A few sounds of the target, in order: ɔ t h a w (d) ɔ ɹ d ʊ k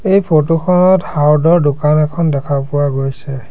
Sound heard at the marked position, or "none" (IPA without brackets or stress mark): d